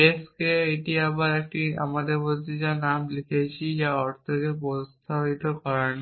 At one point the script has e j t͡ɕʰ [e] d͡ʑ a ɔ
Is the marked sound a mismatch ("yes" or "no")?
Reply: yes